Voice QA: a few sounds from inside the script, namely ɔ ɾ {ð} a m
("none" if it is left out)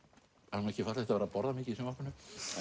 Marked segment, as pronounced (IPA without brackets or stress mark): ð